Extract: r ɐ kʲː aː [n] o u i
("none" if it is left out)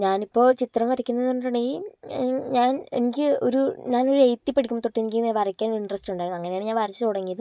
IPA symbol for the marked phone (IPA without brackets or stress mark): n